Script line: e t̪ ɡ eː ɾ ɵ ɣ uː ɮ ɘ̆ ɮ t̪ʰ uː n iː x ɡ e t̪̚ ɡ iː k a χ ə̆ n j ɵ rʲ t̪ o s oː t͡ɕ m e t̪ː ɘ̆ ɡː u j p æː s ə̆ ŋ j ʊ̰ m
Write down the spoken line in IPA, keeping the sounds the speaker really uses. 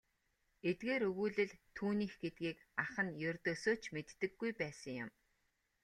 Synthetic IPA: e t̪ ɡ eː ɾ ɵ ɣ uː ɮ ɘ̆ ɮ t̪ʰ uː n iː x ɡ e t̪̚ ɡ iː k a χ ə̆ n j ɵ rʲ t̪ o s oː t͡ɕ m e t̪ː ɘ̆ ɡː u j p æː s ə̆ ŋ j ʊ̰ m